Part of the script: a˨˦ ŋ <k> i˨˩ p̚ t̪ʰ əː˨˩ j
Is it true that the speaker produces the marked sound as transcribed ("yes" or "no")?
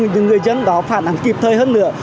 yes